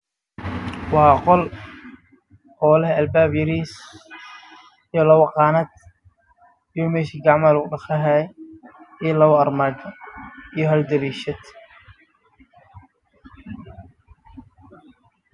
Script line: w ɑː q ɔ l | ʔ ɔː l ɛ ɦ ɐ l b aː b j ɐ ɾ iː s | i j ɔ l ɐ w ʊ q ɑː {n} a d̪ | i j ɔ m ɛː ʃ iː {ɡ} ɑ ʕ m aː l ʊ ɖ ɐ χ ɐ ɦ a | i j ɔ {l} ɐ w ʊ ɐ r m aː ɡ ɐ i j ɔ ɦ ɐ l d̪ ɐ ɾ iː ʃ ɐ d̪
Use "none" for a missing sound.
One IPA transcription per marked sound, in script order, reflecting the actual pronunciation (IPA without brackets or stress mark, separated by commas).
n, ɡ, l